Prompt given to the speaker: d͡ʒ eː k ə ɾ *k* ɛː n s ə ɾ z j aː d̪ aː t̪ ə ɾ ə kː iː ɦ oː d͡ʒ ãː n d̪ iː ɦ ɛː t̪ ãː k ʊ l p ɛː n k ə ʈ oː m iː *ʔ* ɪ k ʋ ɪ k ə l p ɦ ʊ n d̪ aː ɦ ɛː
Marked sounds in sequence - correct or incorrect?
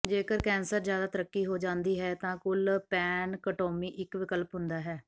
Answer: correct, correct

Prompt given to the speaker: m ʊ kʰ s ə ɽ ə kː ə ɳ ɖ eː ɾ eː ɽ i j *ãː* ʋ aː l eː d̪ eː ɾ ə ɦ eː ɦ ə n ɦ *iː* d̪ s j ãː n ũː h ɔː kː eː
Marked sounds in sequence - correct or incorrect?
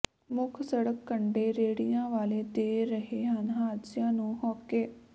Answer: correct, incorrect

